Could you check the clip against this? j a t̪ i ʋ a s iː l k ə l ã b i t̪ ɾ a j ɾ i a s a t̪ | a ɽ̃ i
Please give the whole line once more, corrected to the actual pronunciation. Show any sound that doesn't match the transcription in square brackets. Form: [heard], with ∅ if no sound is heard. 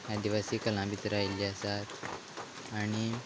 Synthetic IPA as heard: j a [d̪] i ʋ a s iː [∅] k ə l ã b i t̪ ɾ a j [l] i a s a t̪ | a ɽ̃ i